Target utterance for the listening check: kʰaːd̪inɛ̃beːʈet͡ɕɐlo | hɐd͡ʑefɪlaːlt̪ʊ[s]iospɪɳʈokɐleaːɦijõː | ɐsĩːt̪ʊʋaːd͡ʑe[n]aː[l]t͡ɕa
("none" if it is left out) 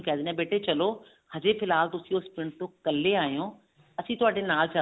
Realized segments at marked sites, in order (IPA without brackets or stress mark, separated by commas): s, n, l